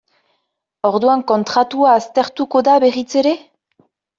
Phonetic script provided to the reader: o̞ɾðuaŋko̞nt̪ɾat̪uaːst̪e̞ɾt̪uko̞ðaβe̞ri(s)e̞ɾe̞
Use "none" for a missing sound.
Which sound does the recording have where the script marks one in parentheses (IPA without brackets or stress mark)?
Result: t͡s